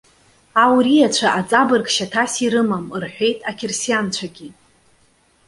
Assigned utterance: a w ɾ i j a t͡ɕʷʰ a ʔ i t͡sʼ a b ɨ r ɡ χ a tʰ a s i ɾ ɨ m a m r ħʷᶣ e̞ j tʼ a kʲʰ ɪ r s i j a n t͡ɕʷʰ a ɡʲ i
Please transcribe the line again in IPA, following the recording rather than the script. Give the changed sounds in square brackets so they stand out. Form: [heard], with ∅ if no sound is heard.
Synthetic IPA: a w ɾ i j a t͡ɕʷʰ a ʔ [a] t͡sʼ a b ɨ r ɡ [ʃ] a tʰ a s i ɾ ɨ m a m r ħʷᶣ e̞ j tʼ a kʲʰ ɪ r s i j a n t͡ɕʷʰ a ɡʲ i